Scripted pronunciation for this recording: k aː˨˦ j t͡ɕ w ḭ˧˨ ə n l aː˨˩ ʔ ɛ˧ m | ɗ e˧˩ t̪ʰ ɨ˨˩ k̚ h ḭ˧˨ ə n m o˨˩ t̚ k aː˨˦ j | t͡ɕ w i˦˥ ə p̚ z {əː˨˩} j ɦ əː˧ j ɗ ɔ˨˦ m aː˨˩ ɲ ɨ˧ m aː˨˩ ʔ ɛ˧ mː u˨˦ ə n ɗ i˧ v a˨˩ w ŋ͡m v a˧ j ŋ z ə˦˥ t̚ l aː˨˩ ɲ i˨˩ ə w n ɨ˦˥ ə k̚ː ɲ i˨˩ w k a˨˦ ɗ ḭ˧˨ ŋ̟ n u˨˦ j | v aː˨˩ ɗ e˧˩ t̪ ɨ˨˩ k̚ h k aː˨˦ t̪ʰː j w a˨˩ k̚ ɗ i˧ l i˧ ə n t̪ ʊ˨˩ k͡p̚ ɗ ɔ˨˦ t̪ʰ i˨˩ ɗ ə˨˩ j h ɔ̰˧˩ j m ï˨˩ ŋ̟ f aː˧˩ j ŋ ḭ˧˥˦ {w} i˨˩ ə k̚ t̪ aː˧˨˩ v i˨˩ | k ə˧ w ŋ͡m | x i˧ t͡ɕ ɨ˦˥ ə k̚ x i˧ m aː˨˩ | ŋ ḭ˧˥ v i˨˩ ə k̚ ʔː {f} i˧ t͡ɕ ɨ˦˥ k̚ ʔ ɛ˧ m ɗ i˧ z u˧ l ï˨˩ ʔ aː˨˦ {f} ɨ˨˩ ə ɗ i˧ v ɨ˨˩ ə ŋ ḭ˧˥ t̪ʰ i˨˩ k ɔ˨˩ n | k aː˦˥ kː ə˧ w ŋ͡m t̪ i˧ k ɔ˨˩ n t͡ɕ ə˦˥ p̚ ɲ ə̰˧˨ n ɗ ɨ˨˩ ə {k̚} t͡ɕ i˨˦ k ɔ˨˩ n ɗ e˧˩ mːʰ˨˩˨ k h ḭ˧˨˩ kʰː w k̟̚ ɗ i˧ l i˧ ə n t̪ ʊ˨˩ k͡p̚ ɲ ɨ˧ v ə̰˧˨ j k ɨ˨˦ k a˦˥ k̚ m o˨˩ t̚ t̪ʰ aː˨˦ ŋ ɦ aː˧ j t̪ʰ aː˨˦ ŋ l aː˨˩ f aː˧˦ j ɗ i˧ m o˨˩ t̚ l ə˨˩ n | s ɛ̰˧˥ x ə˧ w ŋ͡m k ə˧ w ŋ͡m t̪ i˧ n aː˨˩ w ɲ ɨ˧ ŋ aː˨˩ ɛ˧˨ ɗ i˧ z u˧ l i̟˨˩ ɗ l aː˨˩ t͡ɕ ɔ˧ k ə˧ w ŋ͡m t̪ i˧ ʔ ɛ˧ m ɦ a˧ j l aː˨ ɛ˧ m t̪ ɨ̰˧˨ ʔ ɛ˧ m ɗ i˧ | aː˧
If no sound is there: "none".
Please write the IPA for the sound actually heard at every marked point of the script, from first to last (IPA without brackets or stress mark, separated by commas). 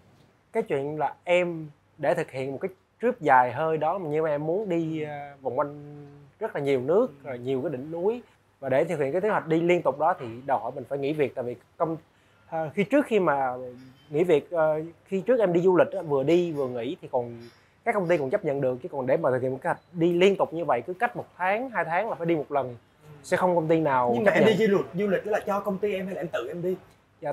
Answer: aː˨˩, v, x, v, k̚